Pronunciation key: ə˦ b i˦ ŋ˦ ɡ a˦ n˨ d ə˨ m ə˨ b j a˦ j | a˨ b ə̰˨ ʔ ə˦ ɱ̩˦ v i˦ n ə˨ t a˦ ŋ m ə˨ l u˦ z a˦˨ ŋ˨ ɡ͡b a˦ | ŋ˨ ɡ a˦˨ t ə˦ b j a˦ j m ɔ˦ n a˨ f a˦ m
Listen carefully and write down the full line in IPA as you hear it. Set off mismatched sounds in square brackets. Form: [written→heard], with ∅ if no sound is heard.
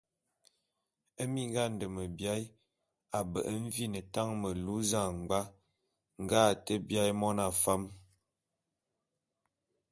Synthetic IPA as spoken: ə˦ [b→m] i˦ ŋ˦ ɡ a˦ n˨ d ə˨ m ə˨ b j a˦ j | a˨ b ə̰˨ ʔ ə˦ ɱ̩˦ v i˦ n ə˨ t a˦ ŋ m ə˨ l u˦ z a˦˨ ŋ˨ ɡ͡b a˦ | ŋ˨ ɡ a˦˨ t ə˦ b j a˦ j m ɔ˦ n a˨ f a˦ m